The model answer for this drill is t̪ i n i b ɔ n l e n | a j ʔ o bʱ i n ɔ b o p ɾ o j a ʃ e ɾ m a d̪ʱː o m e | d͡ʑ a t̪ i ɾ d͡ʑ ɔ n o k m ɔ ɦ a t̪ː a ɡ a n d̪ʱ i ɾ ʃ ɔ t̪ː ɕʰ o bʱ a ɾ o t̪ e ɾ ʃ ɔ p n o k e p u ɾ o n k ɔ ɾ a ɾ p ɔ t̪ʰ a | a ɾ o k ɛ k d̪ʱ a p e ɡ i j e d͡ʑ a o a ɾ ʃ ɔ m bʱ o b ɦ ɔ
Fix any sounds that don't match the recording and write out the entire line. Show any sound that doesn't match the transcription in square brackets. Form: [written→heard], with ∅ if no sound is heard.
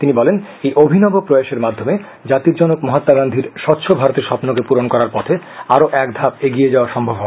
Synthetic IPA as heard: t̪ i n i b ɔ [n→∅] l e n | [a→e] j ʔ o bʱ i n ɔ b o p ɾ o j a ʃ e ɾ m a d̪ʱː o m e | d͡ʑ a t̪ i ɾ d͡ʑ ɔ n o k m ɔ ɦ a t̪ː a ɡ a n d̪ʱ i ɾ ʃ ɔ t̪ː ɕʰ o bʱ a ɾ o t̪ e ɾ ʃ ɔ p n o k e p u ɾ o n k ɔ ɾ a ɾ p ɔ t̪ʰ [a→e] | a ɾ o [k→ʔ] ɛ k d̪ʱ a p e ɡ i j e d͡ʑ a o a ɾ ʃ ɔ m bʱ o b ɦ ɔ

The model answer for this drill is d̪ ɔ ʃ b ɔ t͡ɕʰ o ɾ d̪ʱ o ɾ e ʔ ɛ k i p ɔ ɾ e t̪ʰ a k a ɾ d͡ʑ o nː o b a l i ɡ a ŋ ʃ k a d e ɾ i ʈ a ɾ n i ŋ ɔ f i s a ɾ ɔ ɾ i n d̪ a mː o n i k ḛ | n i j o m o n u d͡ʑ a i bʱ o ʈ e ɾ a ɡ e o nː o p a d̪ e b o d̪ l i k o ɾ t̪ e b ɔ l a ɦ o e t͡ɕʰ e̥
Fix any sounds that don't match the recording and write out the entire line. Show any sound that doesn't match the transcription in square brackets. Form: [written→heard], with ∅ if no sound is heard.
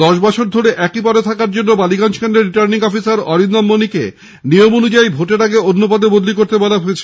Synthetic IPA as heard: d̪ ɔ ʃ b ɔ t͡ɕʰ o ɾ d̪ʱ o ɾ e ʔ ɛ k i p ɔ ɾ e t̪ʰ a k a ɾ d͡ʑ o nː o b a l i ɡ a [ŋ→n] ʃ k a [d→n] e ɾ i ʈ a ɾ n i ŋ ɔ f i s a ɾ ɔ ɾ i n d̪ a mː o n i k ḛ | n i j o m o n u d͡ʑ a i bʱ o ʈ e ɾ a ɡ e o nː o p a d̪ e b o d̪ l i k o ɾ t̪ e b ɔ l a ɦ o e t͡ɕʰ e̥

